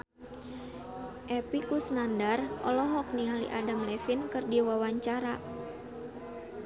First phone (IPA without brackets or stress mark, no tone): ʔ